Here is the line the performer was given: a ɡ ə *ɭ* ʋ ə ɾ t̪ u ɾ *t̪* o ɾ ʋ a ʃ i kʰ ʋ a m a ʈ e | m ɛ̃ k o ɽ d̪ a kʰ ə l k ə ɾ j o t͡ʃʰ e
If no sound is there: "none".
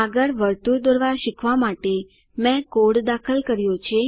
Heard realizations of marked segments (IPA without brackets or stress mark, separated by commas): ɾ, d̪